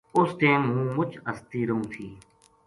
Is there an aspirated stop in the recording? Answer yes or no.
yes